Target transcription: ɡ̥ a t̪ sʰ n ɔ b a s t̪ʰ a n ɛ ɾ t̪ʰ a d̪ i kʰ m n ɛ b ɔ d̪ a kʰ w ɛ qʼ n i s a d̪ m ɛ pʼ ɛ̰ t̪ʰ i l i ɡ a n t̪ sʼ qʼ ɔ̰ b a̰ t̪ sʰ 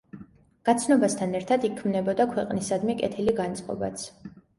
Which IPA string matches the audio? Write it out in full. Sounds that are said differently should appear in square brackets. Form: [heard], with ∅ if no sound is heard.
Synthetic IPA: ɡ̥ a t̪ sʰ n ɔ b a s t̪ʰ a n ɛ ɾ t̪ʰ a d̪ i kʰ m n ɛ b ɔ d̪ a kʰ w ɛ qʼ n i s a d̪ m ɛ [kʼ] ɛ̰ t̪ʰ i l i ɡ a n t̪ sʼ qʼ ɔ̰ b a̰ t̪ sʰ